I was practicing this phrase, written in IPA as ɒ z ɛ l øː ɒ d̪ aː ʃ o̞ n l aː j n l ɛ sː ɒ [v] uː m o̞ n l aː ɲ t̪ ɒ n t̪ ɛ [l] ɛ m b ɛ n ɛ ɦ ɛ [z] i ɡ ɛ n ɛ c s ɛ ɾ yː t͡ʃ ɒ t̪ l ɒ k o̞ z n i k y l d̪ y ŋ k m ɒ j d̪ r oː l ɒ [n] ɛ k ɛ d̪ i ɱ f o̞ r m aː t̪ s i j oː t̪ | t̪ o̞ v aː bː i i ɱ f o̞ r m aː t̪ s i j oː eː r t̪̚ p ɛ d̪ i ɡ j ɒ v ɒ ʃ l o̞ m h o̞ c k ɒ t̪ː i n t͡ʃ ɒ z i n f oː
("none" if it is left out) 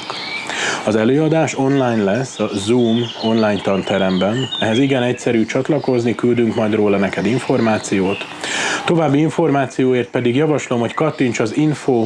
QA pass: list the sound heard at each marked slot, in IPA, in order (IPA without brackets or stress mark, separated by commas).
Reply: z, ɾ, z, n